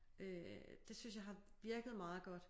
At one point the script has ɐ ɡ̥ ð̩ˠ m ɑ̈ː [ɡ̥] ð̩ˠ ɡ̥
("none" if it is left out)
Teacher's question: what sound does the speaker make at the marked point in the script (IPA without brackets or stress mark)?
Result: none